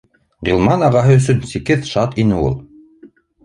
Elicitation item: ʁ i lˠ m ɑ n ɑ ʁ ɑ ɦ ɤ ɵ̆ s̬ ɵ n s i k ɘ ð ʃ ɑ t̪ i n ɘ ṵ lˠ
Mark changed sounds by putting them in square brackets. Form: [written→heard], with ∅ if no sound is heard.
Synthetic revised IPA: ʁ i lˠ m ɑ n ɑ ʁ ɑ ɦ ɤ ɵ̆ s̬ ɵ n s i k ɘ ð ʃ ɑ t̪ i n ɘ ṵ lˠ